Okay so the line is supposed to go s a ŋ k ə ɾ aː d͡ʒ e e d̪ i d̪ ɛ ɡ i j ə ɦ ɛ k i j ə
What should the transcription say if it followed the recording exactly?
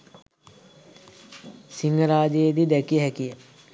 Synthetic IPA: s i ŋ ɡ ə ɾ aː d͡ʒ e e d̪ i d̪ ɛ k i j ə ɦ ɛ k i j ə